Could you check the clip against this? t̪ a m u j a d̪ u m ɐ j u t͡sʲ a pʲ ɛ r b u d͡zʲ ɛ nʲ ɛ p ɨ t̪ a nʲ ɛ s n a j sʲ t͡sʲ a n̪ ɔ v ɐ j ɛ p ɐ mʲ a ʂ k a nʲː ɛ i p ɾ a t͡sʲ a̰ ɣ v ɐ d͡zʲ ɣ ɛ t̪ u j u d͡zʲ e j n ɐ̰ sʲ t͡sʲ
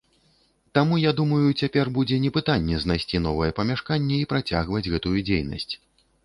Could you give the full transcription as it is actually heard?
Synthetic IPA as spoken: t̪ a m u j a d̪ u m ɐ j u t͡sʲ a pʲ ɛ r b u d͡zʲ ɛ nʲ ɛ p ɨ t̪ a nʲː ɛ z n a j sʲ t͡sʲ i n̪ ɔ v ɐ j ɛ p ɐ mʲ a ʂ k a nʲː ɛ i p ɾ a t͡sʲ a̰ ɣ v ɐ d͡zʲ ɣ ɛ t̪ u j u d͡zʲ e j n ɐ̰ sʲ t͡sʲ